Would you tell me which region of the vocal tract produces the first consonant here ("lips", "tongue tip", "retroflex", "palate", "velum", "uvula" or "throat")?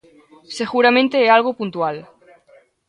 tongue tip